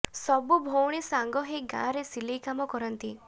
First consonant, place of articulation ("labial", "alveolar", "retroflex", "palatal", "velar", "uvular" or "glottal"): alveolar